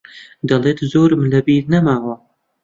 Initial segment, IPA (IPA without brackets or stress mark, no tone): d̪